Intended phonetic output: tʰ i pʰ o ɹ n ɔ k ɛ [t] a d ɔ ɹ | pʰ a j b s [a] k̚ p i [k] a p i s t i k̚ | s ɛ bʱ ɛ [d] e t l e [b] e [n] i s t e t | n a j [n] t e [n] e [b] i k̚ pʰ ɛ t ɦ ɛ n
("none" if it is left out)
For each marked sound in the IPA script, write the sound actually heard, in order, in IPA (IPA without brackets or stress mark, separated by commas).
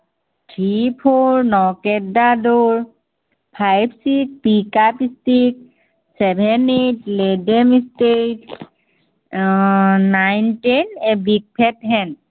d, i, k, n, d, m, n, n, b